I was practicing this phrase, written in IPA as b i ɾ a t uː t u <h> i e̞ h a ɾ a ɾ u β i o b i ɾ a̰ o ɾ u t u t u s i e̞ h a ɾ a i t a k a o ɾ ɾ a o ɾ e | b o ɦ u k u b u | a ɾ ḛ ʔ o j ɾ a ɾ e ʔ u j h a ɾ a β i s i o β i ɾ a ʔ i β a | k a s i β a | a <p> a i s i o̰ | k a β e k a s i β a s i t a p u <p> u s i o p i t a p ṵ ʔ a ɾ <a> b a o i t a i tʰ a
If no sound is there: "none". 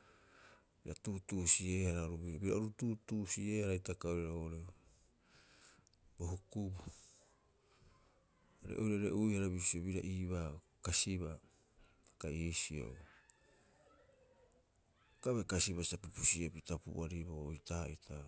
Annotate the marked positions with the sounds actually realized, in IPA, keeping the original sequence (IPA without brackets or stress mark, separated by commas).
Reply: s, k, p, i